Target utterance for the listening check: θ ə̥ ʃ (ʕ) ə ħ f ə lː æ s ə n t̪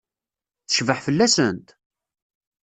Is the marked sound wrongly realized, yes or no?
yes